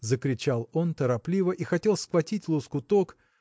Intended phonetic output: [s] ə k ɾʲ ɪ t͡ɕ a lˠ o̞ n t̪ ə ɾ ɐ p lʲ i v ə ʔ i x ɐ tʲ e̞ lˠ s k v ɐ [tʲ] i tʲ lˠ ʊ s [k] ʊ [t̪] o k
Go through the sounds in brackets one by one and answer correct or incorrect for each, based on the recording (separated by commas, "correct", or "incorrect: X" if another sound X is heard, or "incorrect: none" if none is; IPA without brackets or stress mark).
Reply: incorrect: z, correct, correct, correct